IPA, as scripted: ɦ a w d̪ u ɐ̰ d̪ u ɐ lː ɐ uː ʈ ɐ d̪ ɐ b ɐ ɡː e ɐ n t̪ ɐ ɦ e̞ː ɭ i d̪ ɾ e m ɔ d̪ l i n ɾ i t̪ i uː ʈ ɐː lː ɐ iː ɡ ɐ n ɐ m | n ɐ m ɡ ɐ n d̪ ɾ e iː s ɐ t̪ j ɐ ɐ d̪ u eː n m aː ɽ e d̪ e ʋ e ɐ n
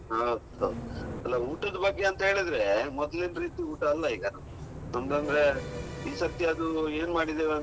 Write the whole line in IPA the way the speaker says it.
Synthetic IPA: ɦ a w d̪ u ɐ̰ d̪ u ɐ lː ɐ uː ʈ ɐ d̪ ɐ b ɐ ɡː e ɐ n t̪ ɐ ɦ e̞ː ɭ i d̪ ɾ e m ɔ d̪ l i n ɾ iː t̪ i uː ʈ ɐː lː ɐ iː ɡ ɐ n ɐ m | n ɐ m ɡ ɐ n d̪ ɾ e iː s ɐ t̪ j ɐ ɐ d̪ u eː n m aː ɽ i d̪ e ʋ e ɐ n